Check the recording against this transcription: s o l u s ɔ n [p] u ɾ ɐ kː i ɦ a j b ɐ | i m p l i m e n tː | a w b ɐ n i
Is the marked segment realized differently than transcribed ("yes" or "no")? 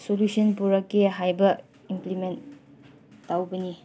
no